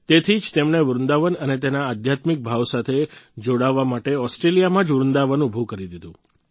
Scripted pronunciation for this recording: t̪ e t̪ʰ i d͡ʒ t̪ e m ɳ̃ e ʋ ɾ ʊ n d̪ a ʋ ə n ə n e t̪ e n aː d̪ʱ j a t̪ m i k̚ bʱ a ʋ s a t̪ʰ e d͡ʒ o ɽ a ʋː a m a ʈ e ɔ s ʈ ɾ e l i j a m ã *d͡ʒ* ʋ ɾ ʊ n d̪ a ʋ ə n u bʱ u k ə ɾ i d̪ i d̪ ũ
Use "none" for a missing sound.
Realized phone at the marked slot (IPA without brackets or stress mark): d͡ʒ